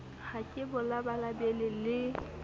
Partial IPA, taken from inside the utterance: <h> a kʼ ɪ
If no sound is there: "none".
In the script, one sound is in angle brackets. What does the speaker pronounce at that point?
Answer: h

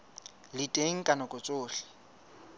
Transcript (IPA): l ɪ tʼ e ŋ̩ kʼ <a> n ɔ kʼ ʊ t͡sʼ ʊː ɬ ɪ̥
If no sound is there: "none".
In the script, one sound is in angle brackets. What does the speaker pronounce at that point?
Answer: a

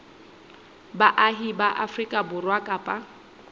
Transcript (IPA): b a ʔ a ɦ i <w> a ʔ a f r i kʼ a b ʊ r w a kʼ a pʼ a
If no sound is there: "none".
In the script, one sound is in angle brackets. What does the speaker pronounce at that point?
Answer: b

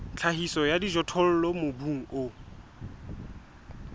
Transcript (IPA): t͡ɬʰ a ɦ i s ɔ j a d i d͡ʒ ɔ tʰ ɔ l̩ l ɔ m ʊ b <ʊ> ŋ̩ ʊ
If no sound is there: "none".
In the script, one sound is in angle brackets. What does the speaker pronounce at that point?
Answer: u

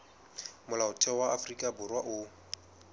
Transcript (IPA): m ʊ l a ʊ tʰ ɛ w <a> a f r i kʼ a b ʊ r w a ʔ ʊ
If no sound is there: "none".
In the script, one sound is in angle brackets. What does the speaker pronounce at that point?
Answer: a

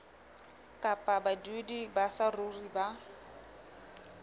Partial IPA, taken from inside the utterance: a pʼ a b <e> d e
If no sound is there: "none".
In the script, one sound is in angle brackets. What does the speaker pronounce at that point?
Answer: a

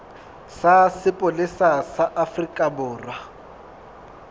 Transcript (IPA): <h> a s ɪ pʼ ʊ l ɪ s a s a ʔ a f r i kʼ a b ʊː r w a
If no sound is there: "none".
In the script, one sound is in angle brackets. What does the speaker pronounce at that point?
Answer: s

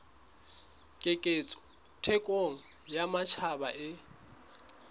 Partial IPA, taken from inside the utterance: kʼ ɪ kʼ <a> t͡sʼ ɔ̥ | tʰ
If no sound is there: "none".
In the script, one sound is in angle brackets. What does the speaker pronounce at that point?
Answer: e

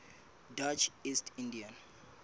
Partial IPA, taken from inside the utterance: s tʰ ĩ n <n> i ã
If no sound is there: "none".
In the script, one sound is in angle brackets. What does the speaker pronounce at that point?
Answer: d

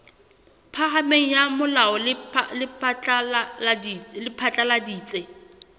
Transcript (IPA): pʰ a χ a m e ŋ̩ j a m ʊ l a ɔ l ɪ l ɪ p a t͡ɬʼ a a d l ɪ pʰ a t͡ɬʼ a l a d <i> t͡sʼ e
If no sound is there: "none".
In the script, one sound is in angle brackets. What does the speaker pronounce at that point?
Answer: iː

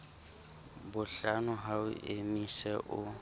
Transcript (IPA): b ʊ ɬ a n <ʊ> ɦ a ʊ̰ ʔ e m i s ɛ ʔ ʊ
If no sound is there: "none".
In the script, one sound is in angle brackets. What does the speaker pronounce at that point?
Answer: ʊ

